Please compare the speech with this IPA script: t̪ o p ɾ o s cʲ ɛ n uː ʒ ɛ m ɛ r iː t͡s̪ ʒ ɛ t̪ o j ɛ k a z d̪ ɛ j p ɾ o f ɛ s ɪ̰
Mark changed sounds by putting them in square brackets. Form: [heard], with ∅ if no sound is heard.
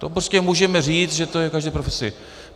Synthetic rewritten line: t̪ o p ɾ o s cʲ ɛ [m] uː ʒ ɛ m ɛ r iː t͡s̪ ʒ ɛ t̪ o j ɛ k a [ʒ] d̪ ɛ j p ɾ o f ɛ s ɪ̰